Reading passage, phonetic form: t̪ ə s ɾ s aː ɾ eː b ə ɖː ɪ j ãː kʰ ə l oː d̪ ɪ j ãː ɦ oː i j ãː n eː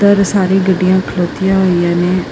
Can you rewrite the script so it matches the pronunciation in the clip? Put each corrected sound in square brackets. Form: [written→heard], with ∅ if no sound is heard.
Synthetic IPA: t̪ ə [s→∅] ɾ s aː ɾ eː [b→ɡ] ə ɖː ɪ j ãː kʰ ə l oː [d̪→t̪] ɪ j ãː ɦ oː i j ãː n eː